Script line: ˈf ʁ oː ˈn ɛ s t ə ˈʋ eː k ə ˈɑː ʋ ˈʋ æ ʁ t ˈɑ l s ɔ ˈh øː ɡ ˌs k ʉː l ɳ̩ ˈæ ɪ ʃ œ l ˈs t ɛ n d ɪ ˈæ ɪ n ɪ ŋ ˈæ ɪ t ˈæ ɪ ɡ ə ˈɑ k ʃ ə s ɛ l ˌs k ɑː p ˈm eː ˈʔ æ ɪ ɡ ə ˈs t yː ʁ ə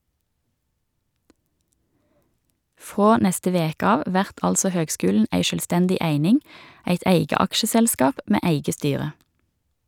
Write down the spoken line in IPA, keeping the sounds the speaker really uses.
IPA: ˈf ʁ oː ˈn ɛ s t ə ˈʋ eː k ə ˈɑː ʋ ˈʋ æ ʁ t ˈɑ l s ɔ ˈh øː ɡ ˌs k ʉː l ɳ̩ ˈæ ɪ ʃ œ l ˈs t ɛ n d ɪ ˈæ ɪ n ɪ ŋ ˈæ ɪ t ˈæ ɪ ɡ ə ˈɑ k ʃ ə s ɛ l ˌs k ɑː p ˈm eː ˈʔ æ ɪ ɡ ə ˈs t yː ʁ ə